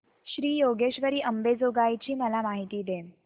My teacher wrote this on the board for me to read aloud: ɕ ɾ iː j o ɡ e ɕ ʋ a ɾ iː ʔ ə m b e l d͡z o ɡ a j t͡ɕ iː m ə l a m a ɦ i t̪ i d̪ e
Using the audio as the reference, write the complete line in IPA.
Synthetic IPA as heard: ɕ ɾ iː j o ɡ e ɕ ʋ ə ɾ iː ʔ ə m b e d͡z o ɡ a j t͡ɕ iː m ə l a m a ɦ i t̪ iː d̪ e